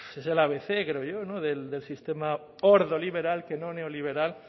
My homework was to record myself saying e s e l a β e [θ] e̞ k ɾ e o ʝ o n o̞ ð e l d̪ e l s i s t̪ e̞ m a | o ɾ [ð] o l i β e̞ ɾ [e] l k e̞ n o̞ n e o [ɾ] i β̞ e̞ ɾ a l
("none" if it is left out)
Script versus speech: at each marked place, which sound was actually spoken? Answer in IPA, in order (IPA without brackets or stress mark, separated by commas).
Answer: θ, ð, a, l